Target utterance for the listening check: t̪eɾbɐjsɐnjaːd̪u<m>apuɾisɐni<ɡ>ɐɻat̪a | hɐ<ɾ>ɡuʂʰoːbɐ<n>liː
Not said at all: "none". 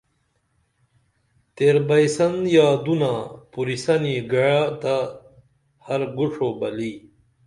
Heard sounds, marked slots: n, ɡ, ɾ, none

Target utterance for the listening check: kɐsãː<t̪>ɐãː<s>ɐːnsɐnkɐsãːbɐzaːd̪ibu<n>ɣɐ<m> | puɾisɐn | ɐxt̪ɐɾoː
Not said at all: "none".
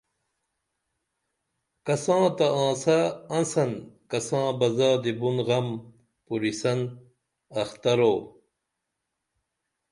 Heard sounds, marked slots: t̪, s, n, m

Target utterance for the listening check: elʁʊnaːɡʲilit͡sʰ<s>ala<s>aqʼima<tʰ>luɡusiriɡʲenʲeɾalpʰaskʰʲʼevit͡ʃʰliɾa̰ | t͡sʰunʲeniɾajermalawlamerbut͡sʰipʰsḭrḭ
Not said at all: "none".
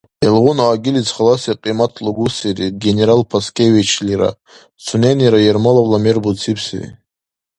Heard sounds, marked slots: χ, s, tʰ

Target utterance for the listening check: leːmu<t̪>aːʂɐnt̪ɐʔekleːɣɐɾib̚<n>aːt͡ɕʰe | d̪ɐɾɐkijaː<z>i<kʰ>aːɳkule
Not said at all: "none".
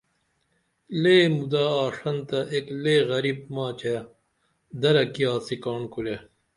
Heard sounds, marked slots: d̪, m, s, k

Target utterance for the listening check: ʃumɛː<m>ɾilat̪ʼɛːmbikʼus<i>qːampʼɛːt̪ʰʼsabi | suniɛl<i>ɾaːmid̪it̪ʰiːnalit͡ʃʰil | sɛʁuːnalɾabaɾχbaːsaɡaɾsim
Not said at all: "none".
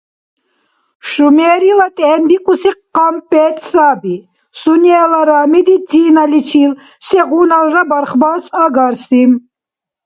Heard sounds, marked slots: none, i, a

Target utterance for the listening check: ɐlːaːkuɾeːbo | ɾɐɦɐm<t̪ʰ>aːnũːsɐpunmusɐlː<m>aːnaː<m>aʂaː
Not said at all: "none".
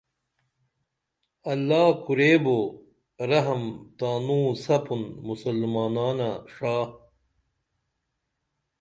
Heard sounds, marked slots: t̪, m, n

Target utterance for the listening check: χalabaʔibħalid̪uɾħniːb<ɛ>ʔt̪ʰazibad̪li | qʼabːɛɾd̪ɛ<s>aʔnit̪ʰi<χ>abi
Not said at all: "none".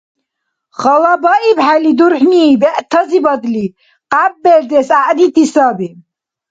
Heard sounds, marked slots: ɛ, s, s

